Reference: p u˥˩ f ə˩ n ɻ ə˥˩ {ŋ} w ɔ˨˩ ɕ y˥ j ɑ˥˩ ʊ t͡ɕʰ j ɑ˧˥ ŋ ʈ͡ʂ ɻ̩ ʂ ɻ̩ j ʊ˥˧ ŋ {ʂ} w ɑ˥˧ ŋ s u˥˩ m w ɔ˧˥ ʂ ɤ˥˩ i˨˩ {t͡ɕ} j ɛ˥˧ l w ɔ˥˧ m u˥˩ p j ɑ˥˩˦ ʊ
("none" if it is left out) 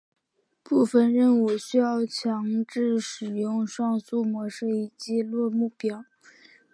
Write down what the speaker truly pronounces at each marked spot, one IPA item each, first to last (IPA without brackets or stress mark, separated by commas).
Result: n, ʂ, t͡ɕ